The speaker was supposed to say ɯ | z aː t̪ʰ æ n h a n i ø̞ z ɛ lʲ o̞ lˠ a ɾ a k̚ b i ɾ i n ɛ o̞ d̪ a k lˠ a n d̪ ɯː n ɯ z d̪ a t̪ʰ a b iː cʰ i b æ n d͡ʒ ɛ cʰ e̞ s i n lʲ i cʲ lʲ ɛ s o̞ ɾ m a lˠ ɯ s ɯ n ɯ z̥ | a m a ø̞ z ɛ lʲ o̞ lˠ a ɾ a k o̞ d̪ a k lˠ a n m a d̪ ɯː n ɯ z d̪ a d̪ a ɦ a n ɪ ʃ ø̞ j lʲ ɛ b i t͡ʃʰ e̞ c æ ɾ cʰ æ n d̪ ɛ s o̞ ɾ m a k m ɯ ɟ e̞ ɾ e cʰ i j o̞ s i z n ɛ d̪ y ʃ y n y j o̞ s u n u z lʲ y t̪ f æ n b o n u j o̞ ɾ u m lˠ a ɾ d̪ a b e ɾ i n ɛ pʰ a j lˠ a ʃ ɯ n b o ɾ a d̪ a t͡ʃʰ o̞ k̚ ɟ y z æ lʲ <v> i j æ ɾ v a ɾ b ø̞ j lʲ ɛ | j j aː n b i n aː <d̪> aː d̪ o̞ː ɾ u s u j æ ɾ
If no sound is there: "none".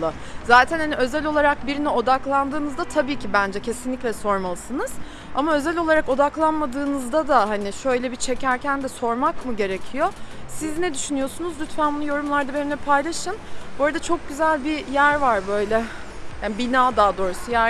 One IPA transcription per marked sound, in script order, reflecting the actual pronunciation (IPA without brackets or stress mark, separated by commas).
b, d̪